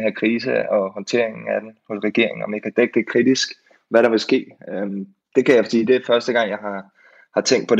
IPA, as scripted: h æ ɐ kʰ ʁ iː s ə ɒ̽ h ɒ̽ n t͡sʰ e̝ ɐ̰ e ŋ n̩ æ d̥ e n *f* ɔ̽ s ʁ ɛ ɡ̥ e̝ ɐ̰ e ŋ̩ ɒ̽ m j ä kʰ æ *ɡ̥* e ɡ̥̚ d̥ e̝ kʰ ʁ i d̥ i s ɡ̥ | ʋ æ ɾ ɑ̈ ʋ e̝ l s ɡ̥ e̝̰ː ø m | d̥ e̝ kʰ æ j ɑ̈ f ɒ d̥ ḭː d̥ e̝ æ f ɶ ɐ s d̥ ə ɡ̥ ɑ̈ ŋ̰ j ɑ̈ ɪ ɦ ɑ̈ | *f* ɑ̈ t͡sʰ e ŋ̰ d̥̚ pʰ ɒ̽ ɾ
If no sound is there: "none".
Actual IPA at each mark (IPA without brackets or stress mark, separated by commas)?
h, d̥, h